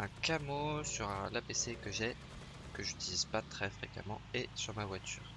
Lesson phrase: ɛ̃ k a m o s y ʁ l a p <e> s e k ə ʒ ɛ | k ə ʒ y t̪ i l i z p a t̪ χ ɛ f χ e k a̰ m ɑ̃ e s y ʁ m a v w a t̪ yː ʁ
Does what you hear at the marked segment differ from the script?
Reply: no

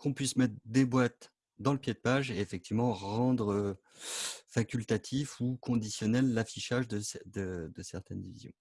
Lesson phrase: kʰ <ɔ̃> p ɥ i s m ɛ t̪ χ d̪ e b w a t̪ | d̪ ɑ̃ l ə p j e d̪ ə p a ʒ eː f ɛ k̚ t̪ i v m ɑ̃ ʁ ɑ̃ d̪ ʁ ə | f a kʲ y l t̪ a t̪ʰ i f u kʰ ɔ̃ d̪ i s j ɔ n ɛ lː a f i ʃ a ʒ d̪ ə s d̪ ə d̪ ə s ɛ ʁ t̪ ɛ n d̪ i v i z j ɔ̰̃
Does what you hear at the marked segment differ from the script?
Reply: no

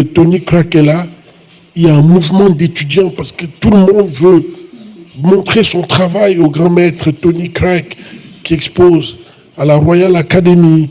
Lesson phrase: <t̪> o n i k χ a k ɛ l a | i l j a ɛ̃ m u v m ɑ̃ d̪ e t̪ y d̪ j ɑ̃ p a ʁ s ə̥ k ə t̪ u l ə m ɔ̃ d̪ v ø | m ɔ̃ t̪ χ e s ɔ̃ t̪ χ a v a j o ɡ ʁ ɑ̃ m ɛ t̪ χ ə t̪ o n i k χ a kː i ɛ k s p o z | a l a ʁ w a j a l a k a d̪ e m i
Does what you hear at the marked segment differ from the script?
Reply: no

